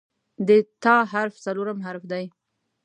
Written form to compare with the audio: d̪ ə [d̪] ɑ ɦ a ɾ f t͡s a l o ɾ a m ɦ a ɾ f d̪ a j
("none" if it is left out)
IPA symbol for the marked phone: t̪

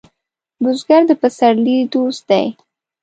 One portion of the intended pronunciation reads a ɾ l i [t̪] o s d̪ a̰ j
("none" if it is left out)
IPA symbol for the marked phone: d̪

